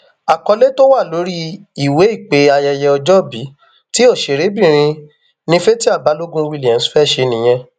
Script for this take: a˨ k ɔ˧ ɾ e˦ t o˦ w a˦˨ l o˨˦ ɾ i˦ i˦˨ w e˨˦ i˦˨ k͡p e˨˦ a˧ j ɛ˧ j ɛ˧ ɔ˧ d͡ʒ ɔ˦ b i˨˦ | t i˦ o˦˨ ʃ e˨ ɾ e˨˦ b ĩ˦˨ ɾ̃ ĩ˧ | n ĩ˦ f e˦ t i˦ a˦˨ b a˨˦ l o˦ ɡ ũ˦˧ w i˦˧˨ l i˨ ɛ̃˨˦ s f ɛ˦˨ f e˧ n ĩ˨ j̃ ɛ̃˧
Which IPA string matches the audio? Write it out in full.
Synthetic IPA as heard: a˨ k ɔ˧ l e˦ t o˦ w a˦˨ l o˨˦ ɾ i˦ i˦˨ w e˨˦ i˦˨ k͡p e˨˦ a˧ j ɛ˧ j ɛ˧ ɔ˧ d͡ʒ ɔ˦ b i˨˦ | t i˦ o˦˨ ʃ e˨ ɾ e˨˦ b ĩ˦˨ ɾ̃ ĩ˧ | n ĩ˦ f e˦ t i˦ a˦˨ b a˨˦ l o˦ ɡ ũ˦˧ w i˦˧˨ l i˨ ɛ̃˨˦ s f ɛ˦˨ ʃ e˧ n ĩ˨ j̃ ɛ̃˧